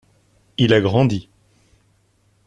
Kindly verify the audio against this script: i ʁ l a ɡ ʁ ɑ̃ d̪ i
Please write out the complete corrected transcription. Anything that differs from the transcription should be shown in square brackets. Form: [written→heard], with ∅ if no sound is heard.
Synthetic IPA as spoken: i [ʁ→∅] l a ɡ ʁ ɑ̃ d̪ i